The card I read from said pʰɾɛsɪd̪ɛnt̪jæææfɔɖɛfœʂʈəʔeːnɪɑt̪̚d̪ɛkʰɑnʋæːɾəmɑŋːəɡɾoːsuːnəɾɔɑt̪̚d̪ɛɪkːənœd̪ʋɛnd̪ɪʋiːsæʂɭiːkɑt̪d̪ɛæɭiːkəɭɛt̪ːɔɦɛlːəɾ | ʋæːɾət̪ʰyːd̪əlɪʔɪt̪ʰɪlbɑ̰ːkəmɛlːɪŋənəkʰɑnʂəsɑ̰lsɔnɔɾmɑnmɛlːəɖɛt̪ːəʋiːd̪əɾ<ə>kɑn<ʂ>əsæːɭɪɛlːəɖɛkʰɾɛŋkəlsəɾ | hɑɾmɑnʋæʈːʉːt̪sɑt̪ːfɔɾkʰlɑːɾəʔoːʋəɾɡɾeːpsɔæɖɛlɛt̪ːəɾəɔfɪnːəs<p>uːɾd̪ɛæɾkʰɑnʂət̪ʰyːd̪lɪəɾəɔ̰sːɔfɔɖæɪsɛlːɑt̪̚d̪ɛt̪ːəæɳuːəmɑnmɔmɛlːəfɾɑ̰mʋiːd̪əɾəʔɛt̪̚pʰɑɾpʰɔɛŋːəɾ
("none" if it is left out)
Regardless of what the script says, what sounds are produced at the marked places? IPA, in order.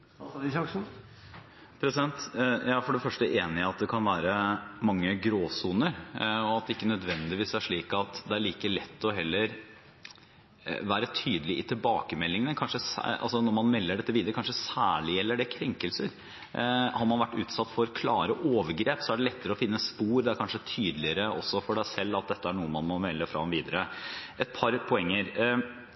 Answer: ə, ʂ, p

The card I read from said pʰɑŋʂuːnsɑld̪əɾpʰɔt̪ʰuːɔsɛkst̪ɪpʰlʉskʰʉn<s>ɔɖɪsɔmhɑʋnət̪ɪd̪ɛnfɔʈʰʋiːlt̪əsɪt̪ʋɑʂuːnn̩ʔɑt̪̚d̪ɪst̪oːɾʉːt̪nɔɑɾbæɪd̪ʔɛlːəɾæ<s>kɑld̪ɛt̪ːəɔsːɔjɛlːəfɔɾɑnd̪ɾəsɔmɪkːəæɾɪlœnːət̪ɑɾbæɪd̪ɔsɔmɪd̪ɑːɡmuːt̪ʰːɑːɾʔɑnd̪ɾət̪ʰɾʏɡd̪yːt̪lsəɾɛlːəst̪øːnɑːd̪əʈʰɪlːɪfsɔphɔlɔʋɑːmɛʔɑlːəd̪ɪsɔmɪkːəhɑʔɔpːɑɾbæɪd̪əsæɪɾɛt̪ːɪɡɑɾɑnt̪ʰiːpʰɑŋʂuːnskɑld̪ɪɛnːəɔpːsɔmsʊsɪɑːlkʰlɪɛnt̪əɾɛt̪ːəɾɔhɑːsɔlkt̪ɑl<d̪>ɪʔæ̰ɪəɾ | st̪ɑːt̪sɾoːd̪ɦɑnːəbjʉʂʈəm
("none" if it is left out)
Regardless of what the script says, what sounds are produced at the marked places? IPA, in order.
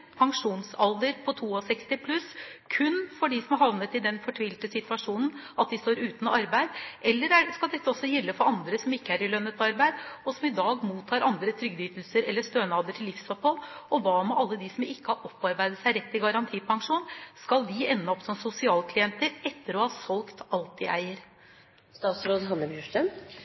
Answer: f, s, t̪

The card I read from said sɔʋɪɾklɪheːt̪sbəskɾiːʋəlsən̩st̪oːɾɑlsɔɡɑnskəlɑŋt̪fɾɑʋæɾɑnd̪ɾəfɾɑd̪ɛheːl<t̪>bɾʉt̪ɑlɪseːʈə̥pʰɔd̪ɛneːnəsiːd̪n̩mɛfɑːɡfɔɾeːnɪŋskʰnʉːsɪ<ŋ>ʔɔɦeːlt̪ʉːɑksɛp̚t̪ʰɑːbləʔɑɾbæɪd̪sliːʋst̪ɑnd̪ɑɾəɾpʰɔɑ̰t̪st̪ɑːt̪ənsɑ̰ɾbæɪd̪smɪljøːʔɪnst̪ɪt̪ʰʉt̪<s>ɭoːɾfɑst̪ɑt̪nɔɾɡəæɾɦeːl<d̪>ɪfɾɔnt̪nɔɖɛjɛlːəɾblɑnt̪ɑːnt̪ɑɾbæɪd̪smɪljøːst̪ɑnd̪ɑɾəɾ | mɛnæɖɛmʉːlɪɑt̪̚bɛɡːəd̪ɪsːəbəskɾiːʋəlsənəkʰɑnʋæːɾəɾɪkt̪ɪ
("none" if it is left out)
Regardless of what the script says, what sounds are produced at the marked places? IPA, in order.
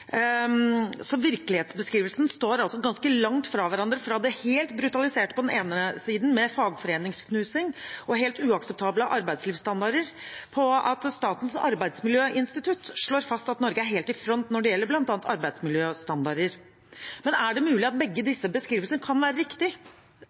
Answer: t̪, ŋ, ʂ, t̪

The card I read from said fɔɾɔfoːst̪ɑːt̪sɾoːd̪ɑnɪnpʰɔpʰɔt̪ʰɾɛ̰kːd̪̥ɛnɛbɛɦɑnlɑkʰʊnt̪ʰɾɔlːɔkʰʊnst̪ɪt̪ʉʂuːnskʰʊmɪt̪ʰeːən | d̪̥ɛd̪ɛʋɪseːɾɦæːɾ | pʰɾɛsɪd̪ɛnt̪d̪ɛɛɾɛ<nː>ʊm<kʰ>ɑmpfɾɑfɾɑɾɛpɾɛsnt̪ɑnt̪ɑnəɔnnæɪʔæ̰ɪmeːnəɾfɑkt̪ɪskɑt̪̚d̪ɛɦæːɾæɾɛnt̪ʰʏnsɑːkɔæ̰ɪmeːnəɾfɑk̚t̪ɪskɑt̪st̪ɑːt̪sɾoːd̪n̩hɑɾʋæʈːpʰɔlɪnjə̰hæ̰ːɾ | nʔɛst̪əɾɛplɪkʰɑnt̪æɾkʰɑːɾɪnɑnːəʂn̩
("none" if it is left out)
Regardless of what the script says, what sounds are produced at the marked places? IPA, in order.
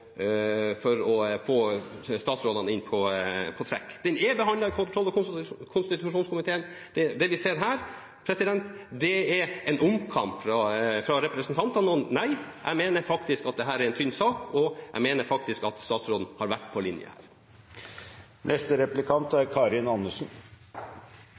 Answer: n, kʰ

